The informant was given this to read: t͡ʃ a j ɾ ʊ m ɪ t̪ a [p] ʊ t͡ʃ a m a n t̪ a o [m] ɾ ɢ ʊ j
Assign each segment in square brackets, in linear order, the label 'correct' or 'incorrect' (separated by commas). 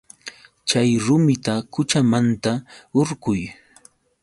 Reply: incorrect, incorrect